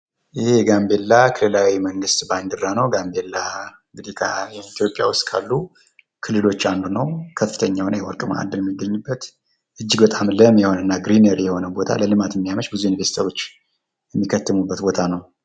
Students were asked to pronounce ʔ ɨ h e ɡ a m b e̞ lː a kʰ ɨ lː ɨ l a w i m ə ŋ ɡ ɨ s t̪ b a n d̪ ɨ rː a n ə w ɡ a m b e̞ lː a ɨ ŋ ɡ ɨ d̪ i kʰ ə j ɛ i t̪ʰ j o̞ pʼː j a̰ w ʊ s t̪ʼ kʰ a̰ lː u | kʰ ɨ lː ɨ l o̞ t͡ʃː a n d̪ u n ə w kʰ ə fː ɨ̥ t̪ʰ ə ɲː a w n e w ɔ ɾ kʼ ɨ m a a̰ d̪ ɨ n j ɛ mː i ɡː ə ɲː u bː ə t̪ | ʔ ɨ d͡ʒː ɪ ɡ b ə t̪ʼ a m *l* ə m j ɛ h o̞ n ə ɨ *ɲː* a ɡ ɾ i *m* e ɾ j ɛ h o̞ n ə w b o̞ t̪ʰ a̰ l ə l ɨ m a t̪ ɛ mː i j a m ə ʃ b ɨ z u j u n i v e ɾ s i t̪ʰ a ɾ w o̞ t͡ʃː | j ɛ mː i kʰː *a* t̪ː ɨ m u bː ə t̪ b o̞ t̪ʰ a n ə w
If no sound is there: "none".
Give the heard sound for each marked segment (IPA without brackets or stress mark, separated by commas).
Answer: l, nː, n, ə